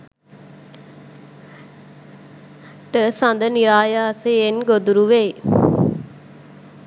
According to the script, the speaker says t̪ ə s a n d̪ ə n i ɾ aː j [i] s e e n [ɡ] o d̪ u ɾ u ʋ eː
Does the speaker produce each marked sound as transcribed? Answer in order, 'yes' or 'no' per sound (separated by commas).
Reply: no, yes